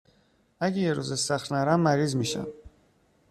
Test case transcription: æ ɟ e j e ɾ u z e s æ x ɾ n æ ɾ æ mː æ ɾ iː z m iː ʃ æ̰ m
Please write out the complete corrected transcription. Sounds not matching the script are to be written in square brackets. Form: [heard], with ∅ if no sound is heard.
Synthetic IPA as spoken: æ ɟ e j e ɾ u z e s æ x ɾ n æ ɾ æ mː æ ɾ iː z m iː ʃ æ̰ m

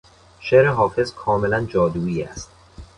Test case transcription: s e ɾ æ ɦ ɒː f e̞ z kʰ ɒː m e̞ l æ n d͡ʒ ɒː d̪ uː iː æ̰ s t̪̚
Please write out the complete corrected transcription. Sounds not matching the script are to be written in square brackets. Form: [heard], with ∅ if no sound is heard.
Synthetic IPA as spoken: [ʃ] e ɾ [e] ɦ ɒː f e̞ z kʰ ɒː m e̞ l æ n d͡ʒ ɒː d̪ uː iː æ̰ s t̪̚

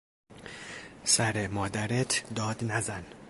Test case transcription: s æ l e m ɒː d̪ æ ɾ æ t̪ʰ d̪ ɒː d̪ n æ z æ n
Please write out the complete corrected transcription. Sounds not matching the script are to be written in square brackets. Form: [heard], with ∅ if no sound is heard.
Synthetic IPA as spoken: s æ [ɾ] e m ɒː d̪ æ ɾ [e] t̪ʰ d̪ ɒː d̪ n æ z æ n

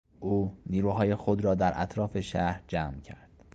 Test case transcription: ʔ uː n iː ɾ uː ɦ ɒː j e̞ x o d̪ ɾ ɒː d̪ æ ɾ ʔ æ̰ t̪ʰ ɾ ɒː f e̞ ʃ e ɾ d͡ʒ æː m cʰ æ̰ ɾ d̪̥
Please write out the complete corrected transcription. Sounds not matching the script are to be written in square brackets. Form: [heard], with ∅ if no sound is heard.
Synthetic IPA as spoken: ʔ uː n iː ɾ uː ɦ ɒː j e̞ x o d̪ ɾ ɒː d̪ æ ɾ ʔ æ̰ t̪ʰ ɾ ɒː f e̞ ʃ [æ] ɾ d͡ʒ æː m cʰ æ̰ ɾ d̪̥

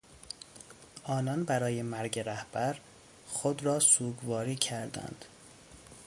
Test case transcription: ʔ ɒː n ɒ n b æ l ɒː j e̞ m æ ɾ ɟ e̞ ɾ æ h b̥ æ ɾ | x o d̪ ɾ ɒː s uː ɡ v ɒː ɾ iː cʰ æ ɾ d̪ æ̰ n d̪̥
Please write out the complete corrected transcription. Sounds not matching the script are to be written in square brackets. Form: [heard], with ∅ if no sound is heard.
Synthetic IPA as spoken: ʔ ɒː n ɒ n b æ [ɾ] ɒː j e̞ m æ ɾ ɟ e̞ ɾ æ h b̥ æ ɾ | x o d̪ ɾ ɒː s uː ɡ v ɒː ɾ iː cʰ æ ɾ d̪ æ̰ n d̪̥

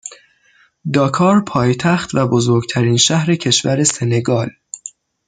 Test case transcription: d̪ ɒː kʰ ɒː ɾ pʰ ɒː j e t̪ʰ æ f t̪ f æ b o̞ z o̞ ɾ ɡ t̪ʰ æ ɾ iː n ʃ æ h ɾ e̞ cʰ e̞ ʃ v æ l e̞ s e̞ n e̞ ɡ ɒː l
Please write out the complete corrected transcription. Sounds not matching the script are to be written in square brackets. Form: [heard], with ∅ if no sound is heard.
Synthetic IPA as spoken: d̪ ɒː kʰ ɒː ɾ pʰ ɒː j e t̪ʰ æ [x] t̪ [v] æ b o̞ z o̞ ɾ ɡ t̪ʰ æ ɾ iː n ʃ æ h ɾ e̞ cʰ e̞ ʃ v æ [ɾ] e̞ s e̞ n e̞ ɡ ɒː l

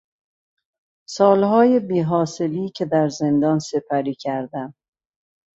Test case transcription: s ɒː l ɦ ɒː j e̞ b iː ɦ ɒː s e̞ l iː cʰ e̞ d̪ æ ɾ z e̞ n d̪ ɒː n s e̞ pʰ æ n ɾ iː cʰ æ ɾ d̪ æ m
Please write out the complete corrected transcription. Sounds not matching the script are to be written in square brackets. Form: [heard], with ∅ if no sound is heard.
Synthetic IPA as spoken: s ɒː l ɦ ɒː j e̞ b iː ɦ ɒː s e̞ l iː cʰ e̞ d̪ æ ɾ z e̞ n d̪ ɒː n s e̞ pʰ æ [∅] ɾ iː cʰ æ ɾ d̪ æ m

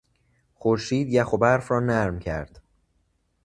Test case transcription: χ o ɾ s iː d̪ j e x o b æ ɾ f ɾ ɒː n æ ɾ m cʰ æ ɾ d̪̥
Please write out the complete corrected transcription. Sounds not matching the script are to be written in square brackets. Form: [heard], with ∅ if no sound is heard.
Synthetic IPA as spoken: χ o ɾ [ʃ] iː d̪ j [æ] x o b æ ɾ f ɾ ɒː n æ ɾ m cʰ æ ɾ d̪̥

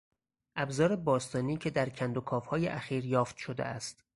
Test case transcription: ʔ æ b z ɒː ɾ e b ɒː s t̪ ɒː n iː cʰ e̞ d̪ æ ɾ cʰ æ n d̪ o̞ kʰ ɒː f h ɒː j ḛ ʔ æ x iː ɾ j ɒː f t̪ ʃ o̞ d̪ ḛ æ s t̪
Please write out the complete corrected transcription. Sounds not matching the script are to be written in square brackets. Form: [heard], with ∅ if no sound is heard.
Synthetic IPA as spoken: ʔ æ b z ɒː ɾ e b ɒː s t̪ ɒː n iː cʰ e̞ d̪ æ ɾ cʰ æ n d̪ o̞ kʰ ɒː f h ɒː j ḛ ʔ æ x iː ɾ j ɒː f t̪ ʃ o̞ d̪ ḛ æ s t̪

